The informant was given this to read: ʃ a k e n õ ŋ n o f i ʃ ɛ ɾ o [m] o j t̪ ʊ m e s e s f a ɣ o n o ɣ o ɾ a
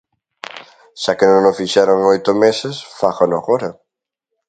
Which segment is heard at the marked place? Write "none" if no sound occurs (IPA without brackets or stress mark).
ŋ